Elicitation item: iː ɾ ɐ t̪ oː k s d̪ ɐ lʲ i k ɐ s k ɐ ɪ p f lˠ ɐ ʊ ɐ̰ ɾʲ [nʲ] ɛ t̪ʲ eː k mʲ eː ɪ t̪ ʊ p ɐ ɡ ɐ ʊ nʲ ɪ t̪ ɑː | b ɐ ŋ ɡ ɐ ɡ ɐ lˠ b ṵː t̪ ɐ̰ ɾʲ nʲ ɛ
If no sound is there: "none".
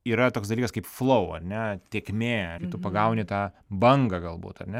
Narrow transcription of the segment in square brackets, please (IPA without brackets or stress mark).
nʲ